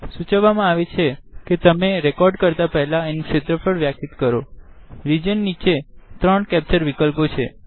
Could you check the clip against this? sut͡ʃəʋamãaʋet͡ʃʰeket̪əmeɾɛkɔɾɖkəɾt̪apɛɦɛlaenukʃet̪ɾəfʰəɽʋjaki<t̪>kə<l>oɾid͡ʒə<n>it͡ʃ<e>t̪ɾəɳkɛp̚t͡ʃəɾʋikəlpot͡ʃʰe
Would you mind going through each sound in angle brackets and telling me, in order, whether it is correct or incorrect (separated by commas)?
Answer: correct, incorrect, incorrect, correct